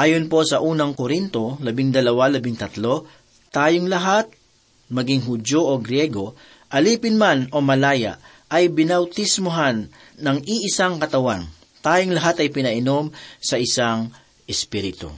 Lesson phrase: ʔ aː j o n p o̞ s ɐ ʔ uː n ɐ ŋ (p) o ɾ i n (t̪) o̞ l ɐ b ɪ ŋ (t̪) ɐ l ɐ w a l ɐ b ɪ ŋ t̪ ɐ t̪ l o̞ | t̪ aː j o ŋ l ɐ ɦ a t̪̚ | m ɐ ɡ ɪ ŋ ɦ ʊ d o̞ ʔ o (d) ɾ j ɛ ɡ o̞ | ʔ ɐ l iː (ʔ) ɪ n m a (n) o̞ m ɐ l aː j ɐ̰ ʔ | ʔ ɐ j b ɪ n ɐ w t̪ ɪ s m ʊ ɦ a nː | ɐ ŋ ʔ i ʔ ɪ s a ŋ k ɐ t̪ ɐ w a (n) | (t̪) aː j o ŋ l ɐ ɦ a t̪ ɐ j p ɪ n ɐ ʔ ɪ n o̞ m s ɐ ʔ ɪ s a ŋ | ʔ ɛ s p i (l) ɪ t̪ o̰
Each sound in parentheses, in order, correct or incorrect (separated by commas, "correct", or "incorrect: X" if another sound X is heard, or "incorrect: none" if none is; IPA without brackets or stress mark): incorrect: k, correct, incorrect: d̪, incorrect: ɡ, incorrect: p, correct, correct, correct, incorrect: ɾ